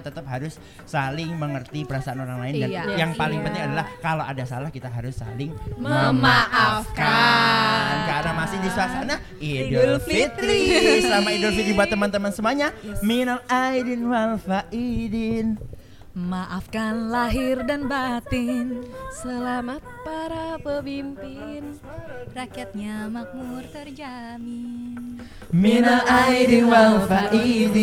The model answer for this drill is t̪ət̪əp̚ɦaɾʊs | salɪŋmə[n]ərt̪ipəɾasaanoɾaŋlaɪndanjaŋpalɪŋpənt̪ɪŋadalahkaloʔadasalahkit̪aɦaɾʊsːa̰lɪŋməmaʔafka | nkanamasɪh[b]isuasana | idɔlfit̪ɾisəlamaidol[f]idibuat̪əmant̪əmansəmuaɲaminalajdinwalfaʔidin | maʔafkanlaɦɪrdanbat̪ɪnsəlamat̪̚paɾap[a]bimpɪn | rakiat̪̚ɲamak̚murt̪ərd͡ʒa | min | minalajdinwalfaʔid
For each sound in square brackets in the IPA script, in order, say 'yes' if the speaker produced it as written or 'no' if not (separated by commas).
no, no, yes, no